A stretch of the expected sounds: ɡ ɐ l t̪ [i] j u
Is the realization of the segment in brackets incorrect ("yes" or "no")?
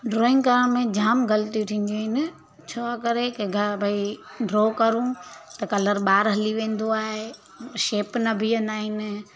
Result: no